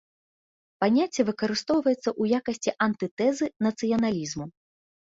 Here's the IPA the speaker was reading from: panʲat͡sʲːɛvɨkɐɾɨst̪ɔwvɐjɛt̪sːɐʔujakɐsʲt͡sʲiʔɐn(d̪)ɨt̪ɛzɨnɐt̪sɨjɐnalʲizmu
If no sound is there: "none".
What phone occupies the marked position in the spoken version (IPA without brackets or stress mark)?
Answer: t̪